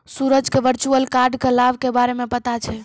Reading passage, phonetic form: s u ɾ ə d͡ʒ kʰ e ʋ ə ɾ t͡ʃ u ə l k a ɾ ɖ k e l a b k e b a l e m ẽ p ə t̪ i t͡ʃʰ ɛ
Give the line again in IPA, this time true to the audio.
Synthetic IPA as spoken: s u ɾ ə d͡ʒ k e ʋ ə ɾ t͡ʃ u ə l k a ɾ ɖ k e l a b k e b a ɾ e m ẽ p ə t̪ a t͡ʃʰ ɛ